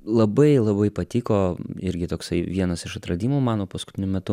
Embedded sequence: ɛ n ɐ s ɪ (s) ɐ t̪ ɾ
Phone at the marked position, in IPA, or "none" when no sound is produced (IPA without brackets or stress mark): ʃ